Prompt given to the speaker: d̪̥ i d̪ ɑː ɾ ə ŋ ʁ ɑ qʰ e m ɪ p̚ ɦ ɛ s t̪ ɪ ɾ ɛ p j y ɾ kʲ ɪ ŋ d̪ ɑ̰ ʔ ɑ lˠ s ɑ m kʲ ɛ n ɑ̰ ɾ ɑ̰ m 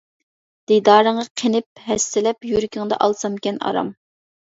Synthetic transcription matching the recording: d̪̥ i d̪ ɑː ɾ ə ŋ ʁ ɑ qʰ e n ɪ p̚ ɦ ɛ s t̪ ɪ l ɛ p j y ɾ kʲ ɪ ŋ d̪ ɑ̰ ʔ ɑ lˠ s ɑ m kʲ ɛ n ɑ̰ ɾ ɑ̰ m